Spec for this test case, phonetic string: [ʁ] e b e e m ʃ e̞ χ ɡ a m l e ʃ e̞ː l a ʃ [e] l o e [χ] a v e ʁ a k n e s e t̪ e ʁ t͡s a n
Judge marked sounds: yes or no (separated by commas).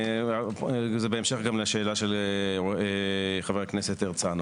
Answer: no, yes, yes